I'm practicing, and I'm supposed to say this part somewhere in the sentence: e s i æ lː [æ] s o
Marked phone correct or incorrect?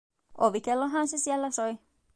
correct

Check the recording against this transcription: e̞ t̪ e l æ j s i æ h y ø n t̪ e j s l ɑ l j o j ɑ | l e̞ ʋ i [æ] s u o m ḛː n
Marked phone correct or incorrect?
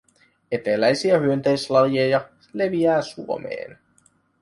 incorrect: æː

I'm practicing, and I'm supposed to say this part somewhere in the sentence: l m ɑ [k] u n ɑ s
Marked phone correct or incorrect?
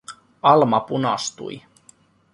incorrect: p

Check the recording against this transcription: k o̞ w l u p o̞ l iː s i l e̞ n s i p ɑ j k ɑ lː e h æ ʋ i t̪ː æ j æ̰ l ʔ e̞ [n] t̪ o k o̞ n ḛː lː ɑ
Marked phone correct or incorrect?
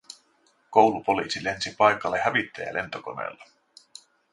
correct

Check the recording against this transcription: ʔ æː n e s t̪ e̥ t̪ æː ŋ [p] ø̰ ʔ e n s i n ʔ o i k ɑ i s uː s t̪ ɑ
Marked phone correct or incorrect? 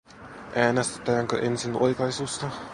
incorrect: k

